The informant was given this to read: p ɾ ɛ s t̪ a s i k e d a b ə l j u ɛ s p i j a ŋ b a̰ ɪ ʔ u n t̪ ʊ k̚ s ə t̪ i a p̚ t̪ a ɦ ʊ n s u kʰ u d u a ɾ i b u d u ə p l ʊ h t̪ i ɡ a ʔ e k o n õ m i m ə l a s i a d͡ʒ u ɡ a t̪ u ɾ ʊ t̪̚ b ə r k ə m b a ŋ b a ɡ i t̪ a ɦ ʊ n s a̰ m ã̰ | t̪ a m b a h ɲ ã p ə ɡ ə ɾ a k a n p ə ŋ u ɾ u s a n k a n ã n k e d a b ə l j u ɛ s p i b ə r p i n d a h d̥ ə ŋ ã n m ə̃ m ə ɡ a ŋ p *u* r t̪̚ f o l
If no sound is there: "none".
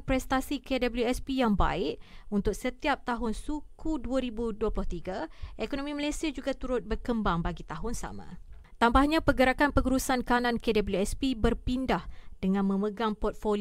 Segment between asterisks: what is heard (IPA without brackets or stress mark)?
ɔ